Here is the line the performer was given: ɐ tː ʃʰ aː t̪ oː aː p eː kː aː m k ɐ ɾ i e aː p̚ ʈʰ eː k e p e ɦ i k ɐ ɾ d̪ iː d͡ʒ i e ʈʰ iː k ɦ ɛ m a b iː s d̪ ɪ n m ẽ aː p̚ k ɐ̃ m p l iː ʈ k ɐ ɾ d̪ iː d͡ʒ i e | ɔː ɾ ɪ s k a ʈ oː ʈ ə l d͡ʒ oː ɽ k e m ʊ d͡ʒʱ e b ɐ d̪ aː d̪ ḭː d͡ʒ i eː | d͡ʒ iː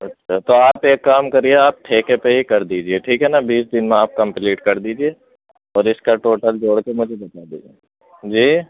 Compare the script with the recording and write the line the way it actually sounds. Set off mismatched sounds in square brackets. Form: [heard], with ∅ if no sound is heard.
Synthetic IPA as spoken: ɐ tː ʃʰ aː t̪ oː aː p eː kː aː m k ɐ ɾ i e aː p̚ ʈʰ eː k e p e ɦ i k ɐ ɾ d̪ iː d͡ʒ i e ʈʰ iː k ɦ ɛ [n] a b iː s d̪ ɪ n m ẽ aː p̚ k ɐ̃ m p l iː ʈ k ɐ ɾ d̪ iː d͡ʒ i e | ɔː ɾ ɪ s k a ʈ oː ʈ ə l d͡ʒ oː ɽ k e m ʊ d͡ʒʱ e b ɐ [t̪] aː d̪ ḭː d͡ʒ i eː | d͡ʒ iː